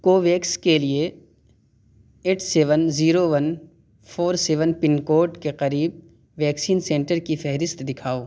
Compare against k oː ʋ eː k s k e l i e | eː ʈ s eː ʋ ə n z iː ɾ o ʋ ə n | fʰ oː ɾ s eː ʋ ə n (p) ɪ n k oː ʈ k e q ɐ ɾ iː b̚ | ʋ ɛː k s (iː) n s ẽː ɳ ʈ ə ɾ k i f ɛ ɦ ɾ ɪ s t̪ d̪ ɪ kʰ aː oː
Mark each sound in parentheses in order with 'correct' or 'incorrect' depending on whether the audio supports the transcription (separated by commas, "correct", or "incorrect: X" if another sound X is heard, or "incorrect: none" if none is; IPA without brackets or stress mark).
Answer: correct, correct